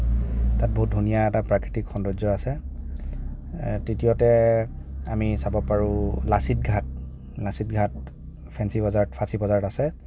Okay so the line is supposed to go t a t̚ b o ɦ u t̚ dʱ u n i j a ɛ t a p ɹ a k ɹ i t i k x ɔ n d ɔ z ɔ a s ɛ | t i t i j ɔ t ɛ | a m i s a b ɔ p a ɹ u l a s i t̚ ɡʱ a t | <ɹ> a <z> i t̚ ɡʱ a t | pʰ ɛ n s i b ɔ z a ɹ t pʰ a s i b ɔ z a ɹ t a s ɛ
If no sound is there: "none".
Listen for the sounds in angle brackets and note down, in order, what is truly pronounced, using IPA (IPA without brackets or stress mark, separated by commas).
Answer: l, s